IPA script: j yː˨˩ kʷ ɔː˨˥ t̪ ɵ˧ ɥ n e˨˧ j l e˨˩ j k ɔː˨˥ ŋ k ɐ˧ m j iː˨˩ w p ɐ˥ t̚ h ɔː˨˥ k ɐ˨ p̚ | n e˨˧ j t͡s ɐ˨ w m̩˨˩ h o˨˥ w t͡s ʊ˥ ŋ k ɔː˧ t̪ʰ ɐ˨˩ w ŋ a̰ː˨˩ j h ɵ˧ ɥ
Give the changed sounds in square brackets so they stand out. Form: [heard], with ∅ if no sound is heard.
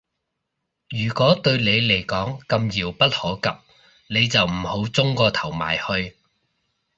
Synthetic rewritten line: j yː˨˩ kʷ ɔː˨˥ t̪ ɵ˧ ɥ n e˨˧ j l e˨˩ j k ɔː˨˥ ŋ k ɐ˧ m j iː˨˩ w p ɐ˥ t̚ h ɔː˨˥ k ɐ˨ p̚ | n e˨˧ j t͡s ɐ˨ w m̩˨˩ h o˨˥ w t͡s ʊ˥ ŋ k ɔː˧ t̪ʰ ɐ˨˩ w [m] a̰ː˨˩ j h ɵ˧ ɥ